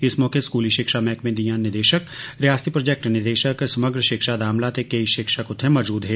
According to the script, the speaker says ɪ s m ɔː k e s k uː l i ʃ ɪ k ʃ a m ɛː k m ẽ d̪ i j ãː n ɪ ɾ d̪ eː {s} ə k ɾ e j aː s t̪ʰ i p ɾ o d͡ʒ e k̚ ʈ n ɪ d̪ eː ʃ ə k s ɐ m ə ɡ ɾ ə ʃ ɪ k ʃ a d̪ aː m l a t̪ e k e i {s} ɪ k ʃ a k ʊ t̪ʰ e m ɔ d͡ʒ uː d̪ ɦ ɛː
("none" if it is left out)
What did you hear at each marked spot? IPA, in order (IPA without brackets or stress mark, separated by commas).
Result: ʃ, ʃ